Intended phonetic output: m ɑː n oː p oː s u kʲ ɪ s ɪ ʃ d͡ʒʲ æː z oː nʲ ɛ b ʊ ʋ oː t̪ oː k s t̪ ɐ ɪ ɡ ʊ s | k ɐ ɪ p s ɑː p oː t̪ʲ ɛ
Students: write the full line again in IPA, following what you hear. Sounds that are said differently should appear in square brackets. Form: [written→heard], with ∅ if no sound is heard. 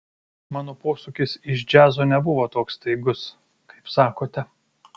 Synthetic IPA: m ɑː n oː p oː s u kʲ ɪ s ɪ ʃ d͡ʒʲ æː z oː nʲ ɛ b ʊ ʋ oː t̪ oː k s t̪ ɐ ɪ ɡ ʊ s | k ɐ ɪ p s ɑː [p→k] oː t̪ʲ ɛ